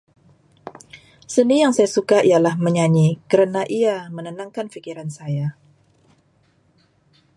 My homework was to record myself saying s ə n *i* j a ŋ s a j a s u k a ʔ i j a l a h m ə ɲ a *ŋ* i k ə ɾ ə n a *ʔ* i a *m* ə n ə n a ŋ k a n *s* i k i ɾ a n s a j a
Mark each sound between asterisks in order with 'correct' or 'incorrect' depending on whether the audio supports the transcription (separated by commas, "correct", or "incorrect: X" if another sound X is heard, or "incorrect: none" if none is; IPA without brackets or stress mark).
correct, incorrect: ɲ, correct, correct, incorrect: f